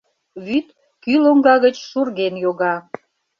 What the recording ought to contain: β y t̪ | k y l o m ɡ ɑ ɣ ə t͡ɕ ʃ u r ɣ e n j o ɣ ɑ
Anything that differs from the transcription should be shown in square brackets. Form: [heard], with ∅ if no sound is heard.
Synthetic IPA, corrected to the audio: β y t̪ | k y l o [ŋ] ɡ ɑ ɣ ə t͡ɕ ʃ u r ɣ e n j o ɣ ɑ